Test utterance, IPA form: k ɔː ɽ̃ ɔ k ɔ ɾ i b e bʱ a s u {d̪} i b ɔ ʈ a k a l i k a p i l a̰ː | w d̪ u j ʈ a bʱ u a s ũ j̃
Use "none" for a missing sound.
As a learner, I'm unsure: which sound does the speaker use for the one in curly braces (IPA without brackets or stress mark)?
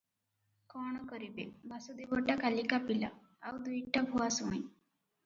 d̪